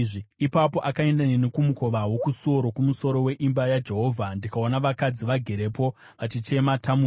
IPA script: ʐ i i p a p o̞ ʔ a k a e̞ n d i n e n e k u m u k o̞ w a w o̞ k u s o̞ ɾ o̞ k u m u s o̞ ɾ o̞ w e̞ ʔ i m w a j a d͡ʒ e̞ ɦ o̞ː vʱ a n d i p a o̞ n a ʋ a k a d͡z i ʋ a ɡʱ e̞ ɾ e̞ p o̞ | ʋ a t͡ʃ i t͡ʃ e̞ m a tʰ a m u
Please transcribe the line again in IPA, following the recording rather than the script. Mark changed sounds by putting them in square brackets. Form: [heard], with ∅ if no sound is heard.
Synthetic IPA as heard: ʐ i i p a p o̞ ʔ a k a e̞ n d [a] n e n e k u m u k o̞ [ʋ] a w o̞ k u s o̞ ɾ o̞ k u m u s o̞ ɾ o̞ w e̞ ʔ i m [b] a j a d͡ʒ e̞ ɦ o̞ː vʱ a n d i [k] a o̞ n a ʋ a k a d͡z i ʋ a ɡʱ e̞ ɾ e̞ p o̞ | ʋ a t͡ʃ i t͡ʃ e̞ m a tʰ a m u